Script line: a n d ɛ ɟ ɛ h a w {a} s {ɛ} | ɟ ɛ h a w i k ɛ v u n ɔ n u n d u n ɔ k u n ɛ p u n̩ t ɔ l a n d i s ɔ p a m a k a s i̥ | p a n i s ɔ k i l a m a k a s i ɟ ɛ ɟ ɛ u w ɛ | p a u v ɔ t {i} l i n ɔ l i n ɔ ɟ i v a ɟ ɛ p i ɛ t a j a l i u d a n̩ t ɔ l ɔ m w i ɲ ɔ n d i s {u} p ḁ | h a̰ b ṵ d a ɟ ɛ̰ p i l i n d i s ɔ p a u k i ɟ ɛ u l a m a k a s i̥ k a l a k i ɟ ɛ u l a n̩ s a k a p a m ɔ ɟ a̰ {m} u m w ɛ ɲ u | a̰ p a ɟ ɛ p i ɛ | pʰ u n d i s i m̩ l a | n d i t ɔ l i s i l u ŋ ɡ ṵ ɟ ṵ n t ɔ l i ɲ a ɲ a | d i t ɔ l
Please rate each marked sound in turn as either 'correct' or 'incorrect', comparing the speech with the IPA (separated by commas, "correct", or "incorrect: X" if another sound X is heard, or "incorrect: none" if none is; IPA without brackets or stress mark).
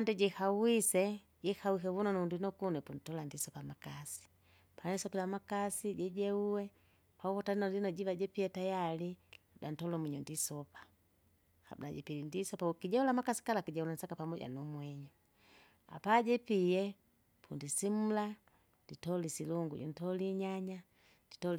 incorrect: i, correct, incorrect: a, incorrect: ɔ, incorrect: n